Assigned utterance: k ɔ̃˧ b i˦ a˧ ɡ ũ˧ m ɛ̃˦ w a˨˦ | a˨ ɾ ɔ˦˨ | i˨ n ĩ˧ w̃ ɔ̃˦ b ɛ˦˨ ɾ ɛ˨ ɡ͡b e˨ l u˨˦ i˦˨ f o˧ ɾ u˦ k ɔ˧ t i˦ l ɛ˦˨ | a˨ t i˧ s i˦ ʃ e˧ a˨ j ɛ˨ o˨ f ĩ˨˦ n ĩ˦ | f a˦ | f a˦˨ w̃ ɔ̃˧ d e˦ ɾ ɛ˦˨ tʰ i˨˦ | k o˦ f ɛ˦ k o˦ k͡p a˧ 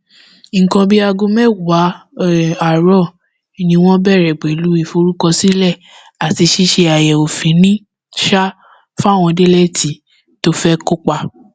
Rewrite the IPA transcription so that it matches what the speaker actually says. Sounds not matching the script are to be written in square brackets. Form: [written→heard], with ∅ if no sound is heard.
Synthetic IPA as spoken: k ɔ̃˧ b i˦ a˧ ɡ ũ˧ m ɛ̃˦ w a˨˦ | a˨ ɾ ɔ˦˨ | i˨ n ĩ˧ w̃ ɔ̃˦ b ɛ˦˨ ɾ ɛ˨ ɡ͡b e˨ l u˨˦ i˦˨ f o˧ ɾ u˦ k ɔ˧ [t→s] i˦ l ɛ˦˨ | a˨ t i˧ [s→ʃ] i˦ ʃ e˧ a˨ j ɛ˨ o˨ f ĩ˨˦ n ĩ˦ | [f→ʃ] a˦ | f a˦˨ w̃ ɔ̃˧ d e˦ [ɾ→l] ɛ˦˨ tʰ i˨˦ | [k→t] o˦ f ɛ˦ k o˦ k͡p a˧